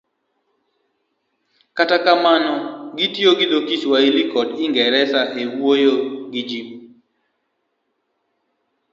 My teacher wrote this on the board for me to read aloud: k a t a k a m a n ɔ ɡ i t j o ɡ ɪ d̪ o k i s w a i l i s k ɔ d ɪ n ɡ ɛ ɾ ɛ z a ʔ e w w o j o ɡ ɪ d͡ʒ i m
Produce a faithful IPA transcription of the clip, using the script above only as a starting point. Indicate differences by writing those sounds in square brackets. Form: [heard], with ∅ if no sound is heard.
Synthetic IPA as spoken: k a t a k a m a n ɔ ɡ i t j o ɡ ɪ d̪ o k i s w a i l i [∅] k ɔ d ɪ [ŋ] ɡ ɛ ɾ ɛ [s] a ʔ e w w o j o ɡ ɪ d͡ʒ i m